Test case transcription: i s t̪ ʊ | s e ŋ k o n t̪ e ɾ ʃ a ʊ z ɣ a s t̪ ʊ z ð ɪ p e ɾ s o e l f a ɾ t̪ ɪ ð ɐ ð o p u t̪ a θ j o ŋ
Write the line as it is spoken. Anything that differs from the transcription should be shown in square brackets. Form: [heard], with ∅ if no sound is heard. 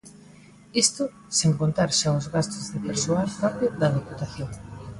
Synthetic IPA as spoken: i s t̪ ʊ | s e ŋ k o n t̪ [a] ɾ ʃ a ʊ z ɣ a s t̪ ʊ z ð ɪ p e ɾ s o [a] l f a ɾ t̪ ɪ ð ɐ ð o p u t̪ a θ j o ŋ